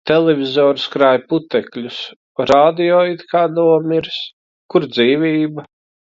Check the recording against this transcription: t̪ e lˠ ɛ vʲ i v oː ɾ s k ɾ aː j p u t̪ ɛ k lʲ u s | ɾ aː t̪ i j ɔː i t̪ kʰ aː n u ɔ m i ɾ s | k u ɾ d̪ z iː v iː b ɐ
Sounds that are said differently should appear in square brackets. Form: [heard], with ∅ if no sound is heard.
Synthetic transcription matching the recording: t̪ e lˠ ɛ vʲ i [z] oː ɾ s k ɾ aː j p u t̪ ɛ k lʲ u s | ɾ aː [d̪] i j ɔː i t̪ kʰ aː n u ɔ m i ɾ s | k u ɾ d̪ z iː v iː b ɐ